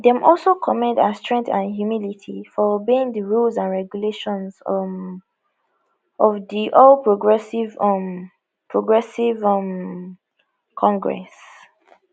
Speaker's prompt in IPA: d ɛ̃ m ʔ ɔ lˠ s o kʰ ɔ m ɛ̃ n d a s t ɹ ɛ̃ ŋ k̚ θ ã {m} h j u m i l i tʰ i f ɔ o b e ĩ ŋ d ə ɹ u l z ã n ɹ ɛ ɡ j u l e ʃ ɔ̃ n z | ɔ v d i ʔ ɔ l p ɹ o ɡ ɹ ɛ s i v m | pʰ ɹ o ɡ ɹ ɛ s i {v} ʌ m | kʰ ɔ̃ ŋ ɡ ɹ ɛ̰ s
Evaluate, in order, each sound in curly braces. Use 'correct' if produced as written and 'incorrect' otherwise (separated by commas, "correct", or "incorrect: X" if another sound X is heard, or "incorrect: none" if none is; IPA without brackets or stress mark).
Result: incorrect: n, correct